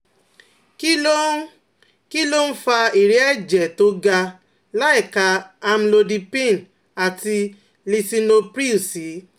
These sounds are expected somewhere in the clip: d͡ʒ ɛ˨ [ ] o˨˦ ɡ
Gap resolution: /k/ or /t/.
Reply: t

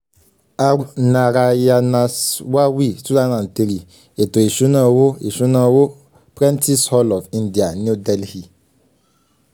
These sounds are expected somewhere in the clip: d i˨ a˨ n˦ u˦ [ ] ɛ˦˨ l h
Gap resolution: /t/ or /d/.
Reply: d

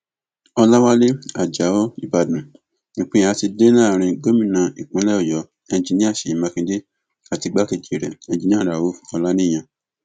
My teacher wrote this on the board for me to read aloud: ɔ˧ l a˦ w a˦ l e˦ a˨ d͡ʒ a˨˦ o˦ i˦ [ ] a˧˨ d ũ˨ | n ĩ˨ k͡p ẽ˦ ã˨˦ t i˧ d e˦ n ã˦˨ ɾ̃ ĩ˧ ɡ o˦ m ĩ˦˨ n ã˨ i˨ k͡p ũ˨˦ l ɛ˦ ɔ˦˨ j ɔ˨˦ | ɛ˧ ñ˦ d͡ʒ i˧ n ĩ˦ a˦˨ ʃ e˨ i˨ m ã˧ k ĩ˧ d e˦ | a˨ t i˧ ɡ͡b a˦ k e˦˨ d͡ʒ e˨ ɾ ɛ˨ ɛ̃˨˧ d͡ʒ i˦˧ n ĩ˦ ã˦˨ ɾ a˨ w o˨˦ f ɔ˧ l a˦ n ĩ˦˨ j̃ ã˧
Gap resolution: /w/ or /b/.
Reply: b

